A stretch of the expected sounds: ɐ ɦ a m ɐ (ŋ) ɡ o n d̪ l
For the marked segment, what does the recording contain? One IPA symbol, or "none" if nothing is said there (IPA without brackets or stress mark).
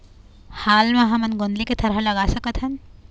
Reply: n